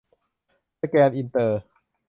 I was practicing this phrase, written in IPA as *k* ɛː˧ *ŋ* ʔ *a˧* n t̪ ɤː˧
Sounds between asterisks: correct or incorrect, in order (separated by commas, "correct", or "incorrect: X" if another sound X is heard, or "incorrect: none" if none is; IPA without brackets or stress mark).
correct, incorrect: n, incorrect: i˧